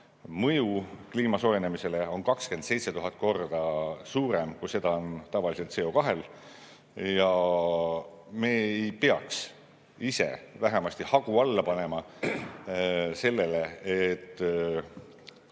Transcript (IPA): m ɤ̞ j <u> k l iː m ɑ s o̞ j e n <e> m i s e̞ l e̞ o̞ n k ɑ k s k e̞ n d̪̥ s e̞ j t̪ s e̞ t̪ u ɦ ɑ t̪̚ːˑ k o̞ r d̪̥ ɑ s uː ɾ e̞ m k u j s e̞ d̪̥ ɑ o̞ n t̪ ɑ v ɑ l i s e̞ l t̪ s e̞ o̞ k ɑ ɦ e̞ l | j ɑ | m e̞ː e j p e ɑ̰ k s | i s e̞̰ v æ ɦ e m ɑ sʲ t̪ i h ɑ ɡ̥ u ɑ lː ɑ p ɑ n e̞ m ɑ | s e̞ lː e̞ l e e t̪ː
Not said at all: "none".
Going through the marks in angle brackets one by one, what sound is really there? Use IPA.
u, e

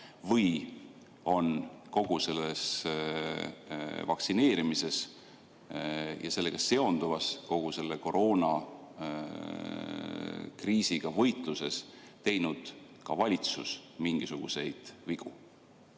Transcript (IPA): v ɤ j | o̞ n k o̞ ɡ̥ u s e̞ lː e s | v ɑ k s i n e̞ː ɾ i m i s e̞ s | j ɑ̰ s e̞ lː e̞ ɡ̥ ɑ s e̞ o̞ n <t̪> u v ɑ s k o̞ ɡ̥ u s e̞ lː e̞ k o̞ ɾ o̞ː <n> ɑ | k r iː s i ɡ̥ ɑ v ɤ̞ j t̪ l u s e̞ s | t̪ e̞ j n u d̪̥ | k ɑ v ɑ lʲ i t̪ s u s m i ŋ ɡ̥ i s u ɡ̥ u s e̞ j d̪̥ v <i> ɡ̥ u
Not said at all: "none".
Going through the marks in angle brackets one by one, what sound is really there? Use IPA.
d̪, n, i

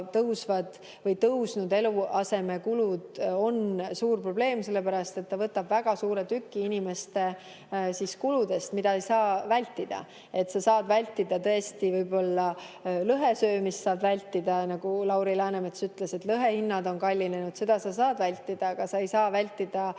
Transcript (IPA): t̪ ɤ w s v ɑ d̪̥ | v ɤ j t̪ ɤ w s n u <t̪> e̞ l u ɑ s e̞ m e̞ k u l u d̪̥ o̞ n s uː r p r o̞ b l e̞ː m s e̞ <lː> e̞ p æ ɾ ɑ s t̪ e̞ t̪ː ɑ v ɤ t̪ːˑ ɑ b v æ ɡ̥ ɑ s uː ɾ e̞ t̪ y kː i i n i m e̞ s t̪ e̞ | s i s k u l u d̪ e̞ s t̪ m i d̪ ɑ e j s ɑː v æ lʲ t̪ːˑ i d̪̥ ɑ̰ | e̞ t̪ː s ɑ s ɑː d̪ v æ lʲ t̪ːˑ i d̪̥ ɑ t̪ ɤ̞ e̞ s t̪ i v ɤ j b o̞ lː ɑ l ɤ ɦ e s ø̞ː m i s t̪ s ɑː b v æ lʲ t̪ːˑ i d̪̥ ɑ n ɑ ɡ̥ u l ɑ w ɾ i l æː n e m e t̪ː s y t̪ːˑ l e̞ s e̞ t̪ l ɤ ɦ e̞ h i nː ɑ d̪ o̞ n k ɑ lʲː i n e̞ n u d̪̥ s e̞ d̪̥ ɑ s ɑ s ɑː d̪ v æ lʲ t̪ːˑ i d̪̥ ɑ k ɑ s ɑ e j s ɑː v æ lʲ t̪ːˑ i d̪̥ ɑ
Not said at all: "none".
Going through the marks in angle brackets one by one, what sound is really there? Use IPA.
d̪, lː

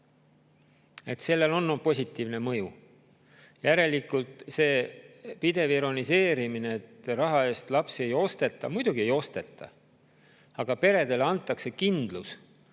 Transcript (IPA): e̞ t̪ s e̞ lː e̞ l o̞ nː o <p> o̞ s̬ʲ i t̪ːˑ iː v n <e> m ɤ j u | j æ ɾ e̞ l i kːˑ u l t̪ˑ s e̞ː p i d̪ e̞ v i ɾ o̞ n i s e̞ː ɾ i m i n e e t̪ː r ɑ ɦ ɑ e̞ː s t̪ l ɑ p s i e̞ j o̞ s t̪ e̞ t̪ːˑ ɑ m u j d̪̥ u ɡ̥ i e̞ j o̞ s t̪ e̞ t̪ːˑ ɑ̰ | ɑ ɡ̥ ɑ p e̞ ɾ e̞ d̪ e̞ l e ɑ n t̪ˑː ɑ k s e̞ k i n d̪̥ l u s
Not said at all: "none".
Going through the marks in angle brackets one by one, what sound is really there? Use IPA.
p, e

